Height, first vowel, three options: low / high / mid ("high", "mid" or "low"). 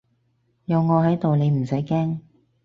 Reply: low